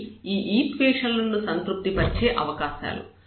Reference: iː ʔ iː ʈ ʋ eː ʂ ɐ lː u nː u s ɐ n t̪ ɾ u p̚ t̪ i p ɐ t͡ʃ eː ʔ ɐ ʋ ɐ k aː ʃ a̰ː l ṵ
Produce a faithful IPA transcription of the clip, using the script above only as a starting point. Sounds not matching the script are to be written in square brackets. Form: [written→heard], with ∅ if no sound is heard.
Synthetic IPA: iː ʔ iː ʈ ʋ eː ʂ ɐ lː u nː u s ɐ n t̪ ɾ u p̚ t̪ i p ɐ t͡ʃ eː ʔ ɐ ʋ ɐ k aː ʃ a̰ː l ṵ